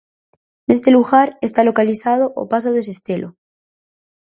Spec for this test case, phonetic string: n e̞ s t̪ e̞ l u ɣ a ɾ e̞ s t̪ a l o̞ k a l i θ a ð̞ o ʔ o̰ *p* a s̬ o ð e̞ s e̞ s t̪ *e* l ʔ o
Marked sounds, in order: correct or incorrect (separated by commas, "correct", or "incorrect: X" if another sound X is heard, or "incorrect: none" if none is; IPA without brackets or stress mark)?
correct, correct